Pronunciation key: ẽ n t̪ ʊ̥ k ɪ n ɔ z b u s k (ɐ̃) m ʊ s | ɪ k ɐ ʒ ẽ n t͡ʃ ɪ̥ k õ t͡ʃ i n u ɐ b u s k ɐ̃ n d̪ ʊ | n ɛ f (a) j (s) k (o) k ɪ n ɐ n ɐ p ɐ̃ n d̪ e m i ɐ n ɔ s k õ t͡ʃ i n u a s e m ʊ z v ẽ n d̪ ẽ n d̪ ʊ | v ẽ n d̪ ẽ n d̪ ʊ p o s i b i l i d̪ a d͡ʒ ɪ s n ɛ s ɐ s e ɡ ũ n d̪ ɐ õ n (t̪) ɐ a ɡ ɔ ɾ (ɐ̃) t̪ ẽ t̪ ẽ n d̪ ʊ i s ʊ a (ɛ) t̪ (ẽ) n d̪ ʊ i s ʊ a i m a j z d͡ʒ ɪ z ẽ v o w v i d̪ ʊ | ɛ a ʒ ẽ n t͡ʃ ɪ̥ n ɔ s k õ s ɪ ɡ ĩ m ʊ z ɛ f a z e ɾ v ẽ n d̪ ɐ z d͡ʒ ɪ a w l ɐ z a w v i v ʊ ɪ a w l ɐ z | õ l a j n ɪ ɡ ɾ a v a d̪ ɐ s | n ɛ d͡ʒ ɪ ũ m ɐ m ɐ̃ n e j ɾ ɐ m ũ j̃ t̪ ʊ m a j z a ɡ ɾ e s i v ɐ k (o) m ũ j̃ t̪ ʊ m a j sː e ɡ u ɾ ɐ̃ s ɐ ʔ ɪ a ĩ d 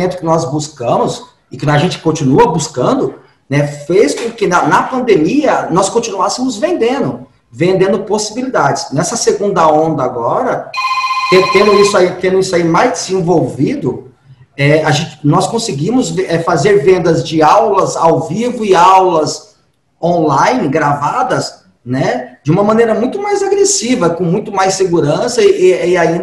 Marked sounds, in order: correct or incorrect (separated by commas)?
correct, incorrect, correct, incorrect, incorrect, incorrect, incorrect, correct, incorrect